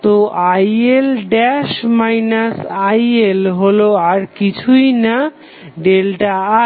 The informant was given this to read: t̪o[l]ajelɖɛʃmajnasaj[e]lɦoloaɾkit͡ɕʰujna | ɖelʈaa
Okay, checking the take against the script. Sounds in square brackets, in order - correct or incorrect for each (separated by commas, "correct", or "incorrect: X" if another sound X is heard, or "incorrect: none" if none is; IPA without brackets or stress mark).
incorrect: none, correct